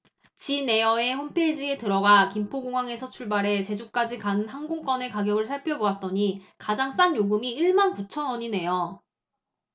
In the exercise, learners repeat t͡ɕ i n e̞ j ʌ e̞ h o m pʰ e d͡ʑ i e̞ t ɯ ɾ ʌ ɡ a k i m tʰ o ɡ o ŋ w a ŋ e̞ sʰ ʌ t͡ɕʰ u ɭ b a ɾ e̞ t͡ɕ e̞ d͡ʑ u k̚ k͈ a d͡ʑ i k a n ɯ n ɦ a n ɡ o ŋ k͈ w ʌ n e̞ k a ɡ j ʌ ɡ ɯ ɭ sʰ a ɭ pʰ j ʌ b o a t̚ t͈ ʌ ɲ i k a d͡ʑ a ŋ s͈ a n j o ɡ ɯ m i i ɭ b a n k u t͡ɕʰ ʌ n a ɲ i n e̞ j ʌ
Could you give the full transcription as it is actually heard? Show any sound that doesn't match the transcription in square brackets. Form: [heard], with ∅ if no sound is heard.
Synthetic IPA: t͡ɕ i n e̞ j ʌ e̞ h o m pʰ e d͡ʑ i e̞ t ɯ ɾ ʌ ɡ a k i m [pʰ] o ɡ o ŋ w a ŋ e̞ sʰ ʌ t͡ɕʰ u ɭ b a ɾ e̞ t͡ɕ e̞ d͡ʑ u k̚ k͈ a d͡ʑ i k a n ɯ n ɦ a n ɡ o ŋ k͈ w ʌ n e̞ k a ɡ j ʌ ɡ ɯ ɭ sʰ a ɭ pʰ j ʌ b o a t̚ t͈ ʌ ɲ i k a d͡ʑ a ŋ s͈ a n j o ɡ ɯ m i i ɭ [m] a n k u t͡ɕʰ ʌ n [ʌ] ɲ i n e̞ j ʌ